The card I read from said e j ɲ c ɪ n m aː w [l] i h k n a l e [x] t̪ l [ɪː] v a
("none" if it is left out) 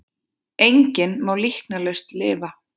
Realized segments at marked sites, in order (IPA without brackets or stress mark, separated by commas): l, s, ɪː